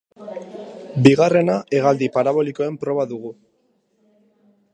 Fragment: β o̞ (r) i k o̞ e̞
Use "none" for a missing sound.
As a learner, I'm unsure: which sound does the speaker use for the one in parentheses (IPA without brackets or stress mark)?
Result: l